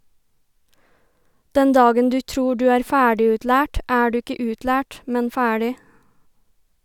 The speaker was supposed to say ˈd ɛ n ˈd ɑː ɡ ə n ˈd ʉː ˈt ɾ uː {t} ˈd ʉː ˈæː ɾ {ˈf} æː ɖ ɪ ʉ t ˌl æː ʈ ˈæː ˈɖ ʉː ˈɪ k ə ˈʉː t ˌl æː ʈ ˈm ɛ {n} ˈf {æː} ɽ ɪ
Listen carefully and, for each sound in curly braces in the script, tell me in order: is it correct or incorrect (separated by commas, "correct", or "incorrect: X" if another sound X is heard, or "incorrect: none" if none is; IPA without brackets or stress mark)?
incorrect: none, correct, correct, correct